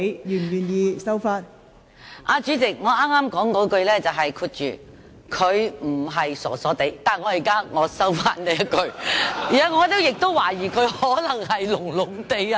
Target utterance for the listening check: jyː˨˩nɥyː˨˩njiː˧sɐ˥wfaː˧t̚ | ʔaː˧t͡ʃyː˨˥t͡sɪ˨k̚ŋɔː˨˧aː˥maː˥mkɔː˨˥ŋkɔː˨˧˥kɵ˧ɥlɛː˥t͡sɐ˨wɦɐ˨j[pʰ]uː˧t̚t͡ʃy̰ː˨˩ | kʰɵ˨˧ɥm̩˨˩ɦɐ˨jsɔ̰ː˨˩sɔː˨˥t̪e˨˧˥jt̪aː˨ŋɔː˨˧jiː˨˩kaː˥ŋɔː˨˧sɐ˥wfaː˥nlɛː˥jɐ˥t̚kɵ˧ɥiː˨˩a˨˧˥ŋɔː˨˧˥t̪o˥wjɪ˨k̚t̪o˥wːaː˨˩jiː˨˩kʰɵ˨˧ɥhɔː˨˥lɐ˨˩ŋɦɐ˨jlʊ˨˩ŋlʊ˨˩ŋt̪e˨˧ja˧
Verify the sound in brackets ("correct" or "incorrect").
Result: incorrect